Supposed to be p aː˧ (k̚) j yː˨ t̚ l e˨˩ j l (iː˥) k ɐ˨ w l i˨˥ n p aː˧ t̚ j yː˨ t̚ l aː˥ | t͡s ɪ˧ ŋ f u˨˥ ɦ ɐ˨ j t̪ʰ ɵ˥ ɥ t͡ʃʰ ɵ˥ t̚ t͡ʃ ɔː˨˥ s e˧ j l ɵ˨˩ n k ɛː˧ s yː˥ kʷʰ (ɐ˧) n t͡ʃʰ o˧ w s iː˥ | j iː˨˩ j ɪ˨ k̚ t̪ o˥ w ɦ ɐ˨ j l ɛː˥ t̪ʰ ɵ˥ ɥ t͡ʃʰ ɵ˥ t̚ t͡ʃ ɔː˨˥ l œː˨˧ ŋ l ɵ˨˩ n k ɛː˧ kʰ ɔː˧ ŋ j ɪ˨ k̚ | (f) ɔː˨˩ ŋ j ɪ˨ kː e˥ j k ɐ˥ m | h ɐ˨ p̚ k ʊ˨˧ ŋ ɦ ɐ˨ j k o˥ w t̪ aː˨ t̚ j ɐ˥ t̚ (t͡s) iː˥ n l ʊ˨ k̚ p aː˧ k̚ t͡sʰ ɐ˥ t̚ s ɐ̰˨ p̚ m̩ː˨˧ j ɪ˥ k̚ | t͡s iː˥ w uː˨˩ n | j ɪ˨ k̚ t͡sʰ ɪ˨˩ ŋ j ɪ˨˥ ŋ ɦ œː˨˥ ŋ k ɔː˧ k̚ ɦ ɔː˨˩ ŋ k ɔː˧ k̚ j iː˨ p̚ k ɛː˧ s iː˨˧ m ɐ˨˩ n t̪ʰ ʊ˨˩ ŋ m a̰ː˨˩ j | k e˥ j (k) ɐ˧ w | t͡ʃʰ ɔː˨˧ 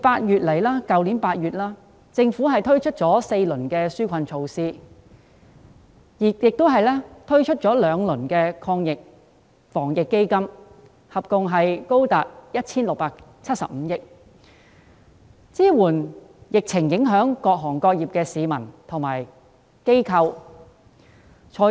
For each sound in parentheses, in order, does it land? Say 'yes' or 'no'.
no, no, yes, yes, no, no

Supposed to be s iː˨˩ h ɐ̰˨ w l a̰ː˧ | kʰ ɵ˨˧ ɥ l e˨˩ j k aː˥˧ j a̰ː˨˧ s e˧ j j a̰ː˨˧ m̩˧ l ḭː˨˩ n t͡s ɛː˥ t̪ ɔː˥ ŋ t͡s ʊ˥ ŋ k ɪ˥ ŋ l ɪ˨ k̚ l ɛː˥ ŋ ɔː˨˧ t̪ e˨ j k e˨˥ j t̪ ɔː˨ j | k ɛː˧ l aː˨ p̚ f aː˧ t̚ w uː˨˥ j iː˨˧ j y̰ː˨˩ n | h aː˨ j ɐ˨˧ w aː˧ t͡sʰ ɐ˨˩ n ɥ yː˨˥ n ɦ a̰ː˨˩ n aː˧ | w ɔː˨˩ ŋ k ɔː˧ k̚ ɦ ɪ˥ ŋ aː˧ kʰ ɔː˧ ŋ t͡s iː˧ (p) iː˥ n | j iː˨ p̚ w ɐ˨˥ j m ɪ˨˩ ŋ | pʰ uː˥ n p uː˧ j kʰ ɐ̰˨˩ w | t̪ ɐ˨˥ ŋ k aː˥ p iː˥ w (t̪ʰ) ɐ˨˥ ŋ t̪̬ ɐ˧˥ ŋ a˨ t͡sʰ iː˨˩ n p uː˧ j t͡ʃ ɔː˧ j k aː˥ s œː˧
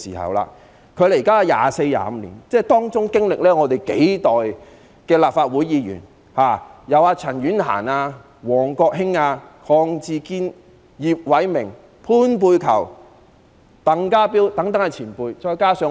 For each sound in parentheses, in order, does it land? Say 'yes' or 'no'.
no, no

